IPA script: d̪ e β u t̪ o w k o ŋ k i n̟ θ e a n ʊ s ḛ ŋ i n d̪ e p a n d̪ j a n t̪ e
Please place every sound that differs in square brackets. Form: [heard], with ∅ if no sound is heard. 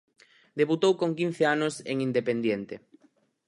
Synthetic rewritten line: d̪ e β u t̪ o w k o ŋ k i n̟ θ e a n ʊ s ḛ ŋ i n d̪ e p [e] n d̪ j [e] n t̪ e